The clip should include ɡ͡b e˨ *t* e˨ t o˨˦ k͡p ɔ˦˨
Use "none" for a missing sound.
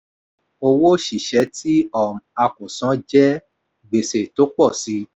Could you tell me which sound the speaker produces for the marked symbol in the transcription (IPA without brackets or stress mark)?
s